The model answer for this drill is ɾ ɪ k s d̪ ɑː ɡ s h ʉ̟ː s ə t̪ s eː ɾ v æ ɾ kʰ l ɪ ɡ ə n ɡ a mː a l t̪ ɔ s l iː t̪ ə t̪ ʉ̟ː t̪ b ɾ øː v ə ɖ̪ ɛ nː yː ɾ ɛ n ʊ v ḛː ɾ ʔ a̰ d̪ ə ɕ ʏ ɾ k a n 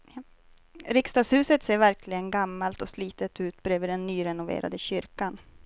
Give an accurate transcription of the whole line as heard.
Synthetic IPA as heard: ɾ ɪ k s t̪ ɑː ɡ s h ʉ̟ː s ə t̪ s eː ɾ v æ ɾ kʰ l ɪ ɡ ə n ɡ a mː a l t̪ ɔ s l iː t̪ ə t̪ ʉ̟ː t̪ b ɾ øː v ə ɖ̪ ɛ nː yː ɾ ɛ n ʊ v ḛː ɾ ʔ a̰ d̪ ə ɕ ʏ ɾ k a n

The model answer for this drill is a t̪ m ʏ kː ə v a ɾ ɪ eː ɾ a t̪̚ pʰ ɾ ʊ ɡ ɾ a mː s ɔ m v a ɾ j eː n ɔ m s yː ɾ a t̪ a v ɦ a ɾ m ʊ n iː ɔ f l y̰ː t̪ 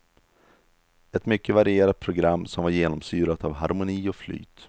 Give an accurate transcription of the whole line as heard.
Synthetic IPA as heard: ɛ t̪ m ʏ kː ə v a ɾ ɪ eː ɾ a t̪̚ pʰ ɾ ʊ ɡ ɾ a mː s ɔ m v a ɾ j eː n ɔ m s yː ɾ a t̪ a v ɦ a ɾ m ʊ n iː ɔ f l y̰ː t̪

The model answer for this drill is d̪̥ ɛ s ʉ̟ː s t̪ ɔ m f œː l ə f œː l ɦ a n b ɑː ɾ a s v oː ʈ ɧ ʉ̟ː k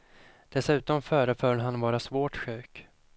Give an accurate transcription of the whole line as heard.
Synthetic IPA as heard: d̪̥ ɛ s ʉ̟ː t̪ ɔ m f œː ɾ ə f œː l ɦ a n v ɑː ɾ a s v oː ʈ ɧ ʉ̟ː k

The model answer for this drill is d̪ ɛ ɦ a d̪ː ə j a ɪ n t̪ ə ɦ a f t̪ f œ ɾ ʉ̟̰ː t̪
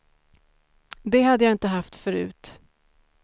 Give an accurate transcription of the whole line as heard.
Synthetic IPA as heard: d̪ ɛ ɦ a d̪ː ə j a ɪ n t̪ ə ɦ a f t̪ f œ ɾ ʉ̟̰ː t̪

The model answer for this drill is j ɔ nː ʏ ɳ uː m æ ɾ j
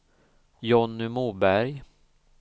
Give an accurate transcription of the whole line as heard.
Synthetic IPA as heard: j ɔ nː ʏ m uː b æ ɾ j

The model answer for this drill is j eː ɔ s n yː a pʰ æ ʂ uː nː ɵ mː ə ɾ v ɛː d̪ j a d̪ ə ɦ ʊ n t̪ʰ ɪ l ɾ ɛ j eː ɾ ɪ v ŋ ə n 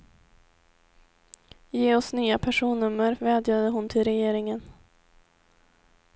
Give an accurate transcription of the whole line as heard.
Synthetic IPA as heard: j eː ɔ s n yː a pʰ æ ʂ uː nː ɵ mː ə ɾ v ɛː d̪ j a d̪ ə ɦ ʊ n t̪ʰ ɪ l ɾ ɛ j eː ɾ ɪ ŋ ə n

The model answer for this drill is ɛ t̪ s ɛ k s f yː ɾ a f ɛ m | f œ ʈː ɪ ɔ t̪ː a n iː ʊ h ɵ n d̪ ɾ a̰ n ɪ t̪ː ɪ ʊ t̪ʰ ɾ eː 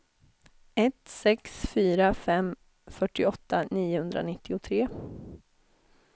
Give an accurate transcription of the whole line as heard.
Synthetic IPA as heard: ɛ t̪ s ɛ k s f yː ɾ a f ɛ m | f œ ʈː ɪ ɔ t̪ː a n iː ʊ h ɵ n d̪ ɾ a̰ n ɪ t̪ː ɪ ʊ t̪ʰ ɾ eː

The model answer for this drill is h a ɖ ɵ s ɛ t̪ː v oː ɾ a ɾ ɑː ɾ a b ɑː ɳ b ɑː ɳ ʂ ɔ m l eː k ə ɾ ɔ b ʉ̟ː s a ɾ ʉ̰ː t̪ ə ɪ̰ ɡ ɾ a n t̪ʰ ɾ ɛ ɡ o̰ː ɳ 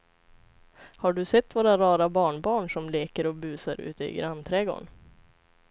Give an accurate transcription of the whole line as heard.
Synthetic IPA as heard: h a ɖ ɵ s ɛ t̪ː v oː ɾ a ɾ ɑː ɾ a b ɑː ɳ b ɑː ɳ ʂ ɔ m l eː k ə ɾ ɔ b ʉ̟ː s a ɾ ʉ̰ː t̪ ə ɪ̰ ɡ ɾ a n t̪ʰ ɾ ɛ ɡ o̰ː ɳ

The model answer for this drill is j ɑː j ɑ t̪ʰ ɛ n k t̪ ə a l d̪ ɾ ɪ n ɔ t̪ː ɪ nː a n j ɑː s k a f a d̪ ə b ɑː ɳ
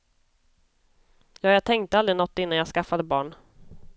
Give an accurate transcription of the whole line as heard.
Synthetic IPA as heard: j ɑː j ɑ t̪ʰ ɛ ŋ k t̪ ə a l d̪ ɾ ɪ n ɔ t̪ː ɪ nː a n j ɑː s k a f a d̪ ə b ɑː ɳ

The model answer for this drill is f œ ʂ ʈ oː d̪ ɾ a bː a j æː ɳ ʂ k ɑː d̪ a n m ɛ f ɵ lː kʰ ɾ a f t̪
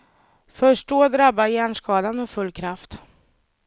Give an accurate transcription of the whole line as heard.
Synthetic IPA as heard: f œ ʂ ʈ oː d̪ ɾ a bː a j æː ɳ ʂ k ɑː d̪ a n m ɛ f ɵ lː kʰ ɾ a f t̪

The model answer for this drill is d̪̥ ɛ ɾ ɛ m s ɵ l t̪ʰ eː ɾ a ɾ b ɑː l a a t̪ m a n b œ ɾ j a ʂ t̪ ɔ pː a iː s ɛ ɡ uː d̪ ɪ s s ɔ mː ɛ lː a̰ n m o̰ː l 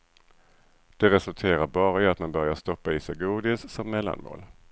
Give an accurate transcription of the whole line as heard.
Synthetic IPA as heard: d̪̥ ɛ ɾ ɛ s ɵ l t̪ʰ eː ɾ a ɾ b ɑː ɾ a a t̪ m a n b œ ɾ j a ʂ t̪ ɔ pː a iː s ɛ ɡ uː d̪ ɪ s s ɔ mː ɛ lː a̰ n m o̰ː l

